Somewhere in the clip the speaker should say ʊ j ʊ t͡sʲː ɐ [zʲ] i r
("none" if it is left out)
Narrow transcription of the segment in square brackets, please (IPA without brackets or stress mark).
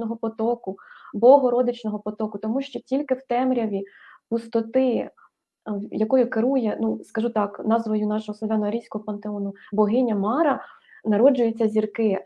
zʲ